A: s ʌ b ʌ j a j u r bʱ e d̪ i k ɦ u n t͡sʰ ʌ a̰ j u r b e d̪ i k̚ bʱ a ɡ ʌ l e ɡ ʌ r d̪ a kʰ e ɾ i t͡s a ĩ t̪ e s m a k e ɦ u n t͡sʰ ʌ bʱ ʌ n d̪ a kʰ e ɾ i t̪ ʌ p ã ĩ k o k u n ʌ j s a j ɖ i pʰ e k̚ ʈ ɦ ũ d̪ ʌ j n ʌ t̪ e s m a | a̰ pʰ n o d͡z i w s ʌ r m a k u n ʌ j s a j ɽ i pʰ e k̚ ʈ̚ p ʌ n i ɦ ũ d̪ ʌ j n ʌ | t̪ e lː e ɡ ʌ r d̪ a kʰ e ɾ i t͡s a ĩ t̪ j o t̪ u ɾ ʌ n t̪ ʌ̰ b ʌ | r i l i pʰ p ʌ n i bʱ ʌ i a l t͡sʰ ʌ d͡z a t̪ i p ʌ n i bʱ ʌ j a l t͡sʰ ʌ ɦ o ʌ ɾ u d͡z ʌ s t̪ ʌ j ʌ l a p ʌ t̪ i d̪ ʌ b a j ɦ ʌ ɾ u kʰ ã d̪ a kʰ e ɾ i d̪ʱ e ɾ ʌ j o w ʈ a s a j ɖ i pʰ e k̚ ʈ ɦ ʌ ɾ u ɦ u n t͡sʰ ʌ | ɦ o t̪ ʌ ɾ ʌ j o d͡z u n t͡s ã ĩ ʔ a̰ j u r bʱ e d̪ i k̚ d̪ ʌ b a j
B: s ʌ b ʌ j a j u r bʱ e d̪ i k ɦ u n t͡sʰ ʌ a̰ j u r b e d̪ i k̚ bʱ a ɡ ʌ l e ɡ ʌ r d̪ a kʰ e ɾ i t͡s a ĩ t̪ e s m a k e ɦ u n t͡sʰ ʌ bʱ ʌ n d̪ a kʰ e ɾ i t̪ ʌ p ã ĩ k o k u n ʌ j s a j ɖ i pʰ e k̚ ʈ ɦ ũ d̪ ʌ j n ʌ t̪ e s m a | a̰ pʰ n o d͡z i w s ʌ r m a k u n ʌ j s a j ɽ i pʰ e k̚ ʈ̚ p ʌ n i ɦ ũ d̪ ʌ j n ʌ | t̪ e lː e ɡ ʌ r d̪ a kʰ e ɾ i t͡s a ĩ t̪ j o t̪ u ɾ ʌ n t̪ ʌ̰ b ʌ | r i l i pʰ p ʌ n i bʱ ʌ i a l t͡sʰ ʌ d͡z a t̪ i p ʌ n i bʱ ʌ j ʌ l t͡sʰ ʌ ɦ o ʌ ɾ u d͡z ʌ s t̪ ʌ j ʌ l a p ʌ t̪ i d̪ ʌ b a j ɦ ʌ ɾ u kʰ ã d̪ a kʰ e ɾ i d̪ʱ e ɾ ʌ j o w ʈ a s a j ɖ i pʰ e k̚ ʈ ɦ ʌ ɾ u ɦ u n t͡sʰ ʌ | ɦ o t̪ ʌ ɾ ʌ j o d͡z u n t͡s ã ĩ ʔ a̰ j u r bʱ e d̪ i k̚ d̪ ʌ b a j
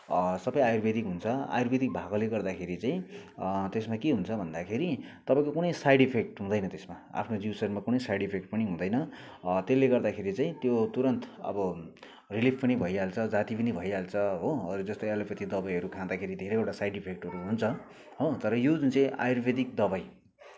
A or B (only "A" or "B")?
A